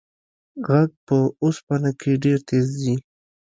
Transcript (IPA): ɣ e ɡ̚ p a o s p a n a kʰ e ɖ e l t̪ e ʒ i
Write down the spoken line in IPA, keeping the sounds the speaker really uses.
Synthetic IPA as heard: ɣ a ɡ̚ p ə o s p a n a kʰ e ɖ e ɾ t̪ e z i